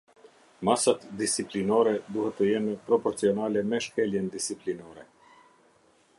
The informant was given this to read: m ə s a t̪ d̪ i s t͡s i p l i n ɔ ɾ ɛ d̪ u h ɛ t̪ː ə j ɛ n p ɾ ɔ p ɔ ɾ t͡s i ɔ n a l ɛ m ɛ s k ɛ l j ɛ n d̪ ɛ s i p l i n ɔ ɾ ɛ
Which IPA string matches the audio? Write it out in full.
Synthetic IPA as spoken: m a s a t̪ d̪ i s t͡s i p l i n ɔ ɾ ɛ d̪ u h ɛ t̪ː ə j ɛ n p ɾ ɔ p ɔ ɾ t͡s i ɔ n a l ɛ m ɛ ʃ k ɛ l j ɛ n d̪ i s i p l i n ɔ ɾ ɛ